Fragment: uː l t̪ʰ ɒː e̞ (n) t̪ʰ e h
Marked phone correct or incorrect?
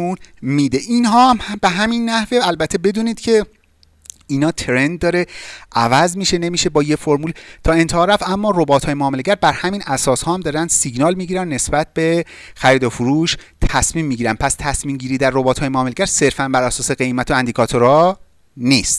correct